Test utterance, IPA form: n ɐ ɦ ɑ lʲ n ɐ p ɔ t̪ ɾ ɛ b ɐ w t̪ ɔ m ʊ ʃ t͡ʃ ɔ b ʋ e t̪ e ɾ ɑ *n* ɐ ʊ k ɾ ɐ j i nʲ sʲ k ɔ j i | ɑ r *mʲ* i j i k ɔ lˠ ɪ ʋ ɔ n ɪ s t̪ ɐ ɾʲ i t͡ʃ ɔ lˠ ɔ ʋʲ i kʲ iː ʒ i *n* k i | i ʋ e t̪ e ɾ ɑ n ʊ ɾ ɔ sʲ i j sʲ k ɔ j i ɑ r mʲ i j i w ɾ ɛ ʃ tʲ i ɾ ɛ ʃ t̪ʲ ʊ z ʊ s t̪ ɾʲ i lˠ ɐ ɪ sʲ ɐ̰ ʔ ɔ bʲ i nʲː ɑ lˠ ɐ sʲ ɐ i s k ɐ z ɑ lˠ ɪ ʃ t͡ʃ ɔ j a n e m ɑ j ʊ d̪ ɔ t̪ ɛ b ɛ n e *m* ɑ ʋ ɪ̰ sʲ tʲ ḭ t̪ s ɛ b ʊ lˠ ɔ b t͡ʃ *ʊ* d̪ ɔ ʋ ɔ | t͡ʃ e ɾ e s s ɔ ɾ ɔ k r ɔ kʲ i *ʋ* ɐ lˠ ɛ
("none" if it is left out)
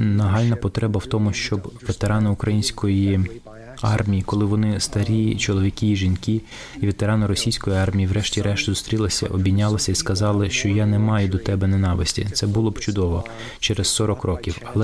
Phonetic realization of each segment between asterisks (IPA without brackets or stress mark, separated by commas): n, mʲ, n, n, ʊ, w